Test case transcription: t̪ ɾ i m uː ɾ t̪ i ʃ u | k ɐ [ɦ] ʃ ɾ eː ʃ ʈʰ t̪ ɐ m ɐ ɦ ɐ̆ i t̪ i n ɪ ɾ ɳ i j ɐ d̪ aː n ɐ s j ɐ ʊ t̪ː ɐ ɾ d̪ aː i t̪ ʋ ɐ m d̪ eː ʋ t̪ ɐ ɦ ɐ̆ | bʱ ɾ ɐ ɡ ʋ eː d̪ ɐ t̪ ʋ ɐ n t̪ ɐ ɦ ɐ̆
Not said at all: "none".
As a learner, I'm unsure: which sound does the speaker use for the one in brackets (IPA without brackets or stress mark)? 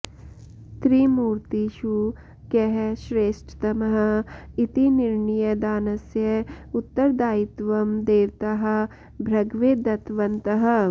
ɦ